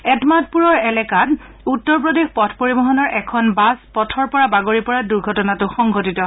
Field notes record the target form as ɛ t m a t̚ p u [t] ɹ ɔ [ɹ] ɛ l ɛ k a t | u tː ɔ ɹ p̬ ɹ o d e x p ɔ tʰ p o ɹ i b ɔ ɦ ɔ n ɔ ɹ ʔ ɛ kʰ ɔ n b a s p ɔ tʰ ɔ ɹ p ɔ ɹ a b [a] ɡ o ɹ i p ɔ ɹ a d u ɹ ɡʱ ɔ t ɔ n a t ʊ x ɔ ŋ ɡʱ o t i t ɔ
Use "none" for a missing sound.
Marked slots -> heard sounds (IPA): none, ɹ, a

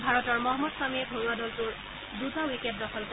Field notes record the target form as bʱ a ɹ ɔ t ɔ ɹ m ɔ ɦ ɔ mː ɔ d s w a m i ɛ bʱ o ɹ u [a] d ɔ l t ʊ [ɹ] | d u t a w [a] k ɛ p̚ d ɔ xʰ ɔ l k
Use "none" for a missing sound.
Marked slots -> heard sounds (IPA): a, ɹ, i

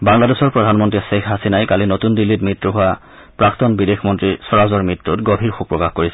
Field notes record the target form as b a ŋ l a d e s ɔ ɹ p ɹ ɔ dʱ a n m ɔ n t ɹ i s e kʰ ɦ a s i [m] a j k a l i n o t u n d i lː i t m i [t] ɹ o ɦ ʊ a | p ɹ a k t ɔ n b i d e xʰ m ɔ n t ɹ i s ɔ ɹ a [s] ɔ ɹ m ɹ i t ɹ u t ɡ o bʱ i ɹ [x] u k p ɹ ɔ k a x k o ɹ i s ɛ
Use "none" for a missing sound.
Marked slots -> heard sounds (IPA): n, t, z, x

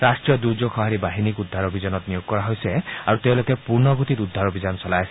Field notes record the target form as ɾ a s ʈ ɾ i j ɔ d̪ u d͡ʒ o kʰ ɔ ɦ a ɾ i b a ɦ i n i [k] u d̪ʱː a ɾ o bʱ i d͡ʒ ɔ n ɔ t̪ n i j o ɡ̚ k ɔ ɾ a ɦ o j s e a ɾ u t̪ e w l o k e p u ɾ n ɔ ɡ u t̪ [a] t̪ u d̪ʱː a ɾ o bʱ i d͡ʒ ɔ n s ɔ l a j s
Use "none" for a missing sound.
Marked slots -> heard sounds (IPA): k, i

